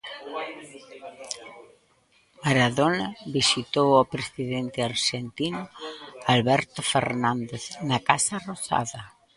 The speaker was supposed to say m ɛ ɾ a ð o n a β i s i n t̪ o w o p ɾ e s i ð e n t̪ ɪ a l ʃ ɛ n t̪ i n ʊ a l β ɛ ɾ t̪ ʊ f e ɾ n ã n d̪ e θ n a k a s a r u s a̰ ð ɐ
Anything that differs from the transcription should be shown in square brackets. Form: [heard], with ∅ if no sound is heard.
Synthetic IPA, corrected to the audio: m [a] ɾ a ð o n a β i s i [∅] t̪ o w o p ɾ e s i ð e n t̪ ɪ a [ɾ] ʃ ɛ n t̪ i n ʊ a l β ɛ ɾ t̪ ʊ f e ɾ n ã n d̪ e θ n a k a s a r [o] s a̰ ð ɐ